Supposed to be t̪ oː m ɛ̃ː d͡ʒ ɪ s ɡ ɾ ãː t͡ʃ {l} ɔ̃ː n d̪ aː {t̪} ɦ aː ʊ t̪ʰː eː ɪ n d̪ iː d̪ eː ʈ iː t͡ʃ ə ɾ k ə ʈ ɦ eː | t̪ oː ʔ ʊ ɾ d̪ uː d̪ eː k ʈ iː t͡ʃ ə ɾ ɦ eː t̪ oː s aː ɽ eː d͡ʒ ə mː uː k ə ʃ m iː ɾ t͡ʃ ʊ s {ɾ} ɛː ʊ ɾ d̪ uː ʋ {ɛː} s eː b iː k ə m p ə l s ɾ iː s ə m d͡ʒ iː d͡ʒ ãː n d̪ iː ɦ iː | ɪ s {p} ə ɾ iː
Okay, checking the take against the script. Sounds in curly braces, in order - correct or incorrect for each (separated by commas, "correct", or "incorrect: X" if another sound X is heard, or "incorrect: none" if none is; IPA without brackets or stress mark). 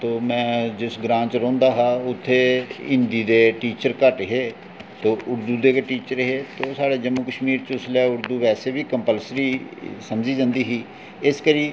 incorrect: ɾ, incorrect: none, incorrect: l, correct, incorrect: k